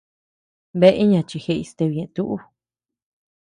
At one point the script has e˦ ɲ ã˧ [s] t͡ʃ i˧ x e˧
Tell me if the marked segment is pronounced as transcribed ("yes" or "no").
no